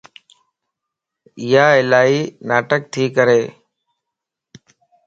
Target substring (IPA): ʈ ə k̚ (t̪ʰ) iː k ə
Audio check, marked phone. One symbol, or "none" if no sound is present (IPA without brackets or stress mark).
t̪ʰ